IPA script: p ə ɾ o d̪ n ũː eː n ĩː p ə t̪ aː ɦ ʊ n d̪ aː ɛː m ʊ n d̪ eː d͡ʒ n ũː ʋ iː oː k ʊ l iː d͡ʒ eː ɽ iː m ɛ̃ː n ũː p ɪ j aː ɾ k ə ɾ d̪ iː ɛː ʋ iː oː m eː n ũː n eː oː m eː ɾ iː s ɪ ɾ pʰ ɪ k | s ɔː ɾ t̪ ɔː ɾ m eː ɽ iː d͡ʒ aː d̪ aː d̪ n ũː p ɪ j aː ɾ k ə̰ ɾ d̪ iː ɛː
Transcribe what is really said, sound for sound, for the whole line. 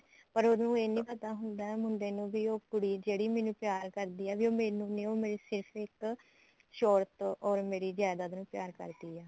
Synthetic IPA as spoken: p ə ɾ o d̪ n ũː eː n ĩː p ə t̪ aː ɦ ʊ n d̪ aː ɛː m ʊ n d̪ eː n ũː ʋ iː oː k ʊ ɽ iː d͡ʒ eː ɽ iː m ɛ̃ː n ũː p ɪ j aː ɾ k ə ɾ d̪ iː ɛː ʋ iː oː m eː n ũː n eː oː m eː ɾ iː s ɪ ɾ pʰ ɪ k | ʃ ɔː ɾ t̪ ɔː ɾ m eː ɾ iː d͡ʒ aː d̪ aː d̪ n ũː p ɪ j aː ɾ k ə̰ ɾ d̪ iː ɛː

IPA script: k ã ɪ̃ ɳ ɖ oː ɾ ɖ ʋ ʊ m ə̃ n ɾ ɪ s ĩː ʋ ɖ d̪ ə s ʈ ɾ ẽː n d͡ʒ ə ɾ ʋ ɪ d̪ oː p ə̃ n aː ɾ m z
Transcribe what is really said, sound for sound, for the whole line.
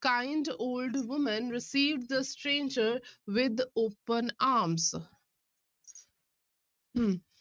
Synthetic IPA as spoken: k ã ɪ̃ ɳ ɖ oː l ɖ ʋ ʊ m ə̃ n ɾ ɪ s iː ʋ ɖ d̪ ə s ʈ ɾ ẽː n d͡ʒ ə ɾ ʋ ɪ d̪ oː p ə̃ n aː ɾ m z

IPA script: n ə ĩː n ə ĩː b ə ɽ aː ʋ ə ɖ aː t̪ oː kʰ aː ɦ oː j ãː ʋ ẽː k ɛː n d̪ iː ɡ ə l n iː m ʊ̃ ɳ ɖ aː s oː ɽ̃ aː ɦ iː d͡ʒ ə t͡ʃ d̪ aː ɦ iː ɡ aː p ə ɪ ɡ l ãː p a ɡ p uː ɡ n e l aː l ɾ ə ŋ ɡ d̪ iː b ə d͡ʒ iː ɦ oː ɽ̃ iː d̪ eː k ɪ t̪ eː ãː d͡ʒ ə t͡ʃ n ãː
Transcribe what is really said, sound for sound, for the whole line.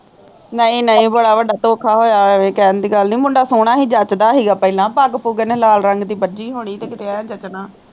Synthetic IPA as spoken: n ə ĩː n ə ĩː b ə ɽ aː ʋ ə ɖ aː t̪ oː kʰ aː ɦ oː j aː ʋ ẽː k ɛː n d̪ iː ɡ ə l n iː m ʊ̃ ɳ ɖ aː s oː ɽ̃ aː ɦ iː d͡ʒ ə t͡ʃ d̪ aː ɦ iː ɡ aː p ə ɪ l ãː p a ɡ p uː ɡ n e l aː l ɾ ə ŋ ɡ d̪ iː b ə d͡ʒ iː ɦ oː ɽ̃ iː t̪ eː k ɪ t̪ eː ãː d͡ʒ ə t͡ʃ n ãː

